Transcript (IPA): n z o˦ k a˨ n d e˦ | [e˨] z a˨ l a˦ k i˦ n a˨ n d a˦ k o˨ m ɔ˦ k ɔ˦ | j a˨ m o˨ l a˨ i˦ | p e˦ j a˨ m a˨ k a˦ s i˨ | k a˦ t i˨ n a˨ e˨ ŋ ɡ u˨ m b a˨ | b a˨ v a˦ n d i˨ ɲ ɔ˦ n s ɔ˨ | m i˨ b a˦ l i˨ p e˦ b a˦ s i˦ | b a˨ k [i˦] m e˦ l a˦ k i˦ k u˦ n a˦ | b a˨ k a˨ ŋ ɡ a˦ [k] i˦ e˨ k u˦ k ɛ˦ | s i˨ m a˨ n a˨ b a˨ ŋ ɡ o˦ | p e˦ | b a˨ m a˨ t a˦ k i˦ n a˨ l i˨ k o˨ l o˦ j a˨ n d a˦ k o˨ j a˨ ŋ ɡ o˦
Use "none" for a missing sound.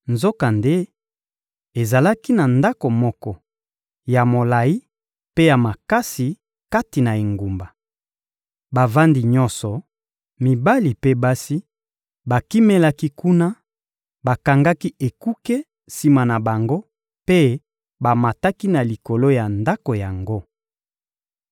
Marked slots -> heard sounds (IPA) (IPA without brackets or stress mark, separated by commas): e˨, i˦, k